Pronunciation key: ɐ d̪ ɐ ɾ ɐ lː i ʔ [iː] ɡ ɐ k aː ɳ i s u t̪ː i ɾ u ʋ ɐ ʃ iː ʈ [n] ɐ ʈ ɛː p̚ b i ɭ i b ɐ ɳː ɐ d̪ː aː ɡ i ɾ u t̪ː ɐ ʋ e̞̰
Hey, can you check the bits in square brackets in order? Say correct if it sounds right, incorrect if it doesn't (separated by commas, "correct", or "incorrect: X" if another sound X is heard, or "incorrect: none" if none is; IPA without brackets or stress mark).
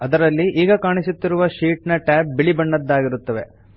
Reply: correct, correct